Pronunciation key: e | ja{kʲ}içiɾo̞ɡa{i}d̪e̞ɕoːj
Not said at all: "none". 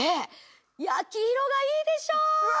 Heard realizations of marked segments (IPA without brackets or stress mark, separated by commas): kʲ, iː